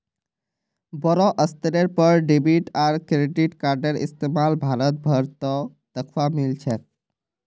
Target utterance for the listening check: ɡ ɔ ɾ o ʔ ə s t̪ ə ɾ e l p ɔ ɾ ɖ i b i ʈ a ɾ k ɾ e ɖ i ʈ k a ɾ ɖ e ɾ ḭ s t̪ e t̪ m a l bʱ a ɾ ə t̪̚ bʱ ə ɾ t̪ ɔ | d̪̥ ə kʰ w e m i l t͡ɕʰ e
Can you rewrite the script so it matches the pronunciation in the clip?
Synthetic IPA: b ɔ ɾ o ʔ ə s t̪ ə ɾ e ɾ p ɔ ɾ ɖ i b i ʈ a ɾ k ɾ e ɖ i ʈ k a ɾ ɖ e ɾ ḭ s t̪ e m a l bʱ a ɾ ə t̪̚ bʱ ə ɾ t̪ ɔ | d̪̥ ə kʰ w a m i l t͡ɕʰ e